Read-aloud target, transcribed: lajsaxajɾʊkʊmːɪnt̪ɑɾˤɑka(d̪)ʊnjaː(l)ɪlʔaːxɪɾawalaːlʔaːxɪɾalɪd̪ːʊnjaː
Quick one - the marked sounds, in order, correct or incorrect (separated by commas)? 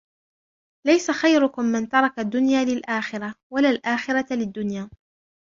incorrect, correct